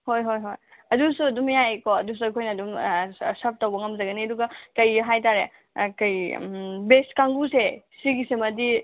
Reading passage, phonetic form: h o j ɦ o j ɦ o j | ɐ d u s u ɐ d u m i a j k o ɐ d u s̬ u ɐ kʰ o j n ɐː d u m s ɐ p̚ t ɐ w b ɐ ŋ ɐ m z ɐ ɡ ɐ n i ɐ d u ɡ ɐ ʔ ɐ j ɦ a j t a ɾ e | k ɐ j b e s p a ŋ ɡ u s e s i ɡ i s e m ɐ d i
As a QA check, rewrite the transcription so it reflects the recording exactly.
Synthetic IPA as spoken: h o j ɦ o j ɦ o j | ɐ d u s u ɐ d u m j a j k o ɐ d u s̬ u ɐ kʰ o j n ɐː d u m s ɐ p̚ t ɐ w b ɐ ŋ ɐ m z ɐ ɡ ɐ n i ɐ d u ɡ ɐ k ɐ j ɦ a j t a ɾ e | k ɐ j b e s k a ŋ ɡ u s e s i ɡ i s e m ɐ d i